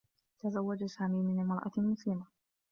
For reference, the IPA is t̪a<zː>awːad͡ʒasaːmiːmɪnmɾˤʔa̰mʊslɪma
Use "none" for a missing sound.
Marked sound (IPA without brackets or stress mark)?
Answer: z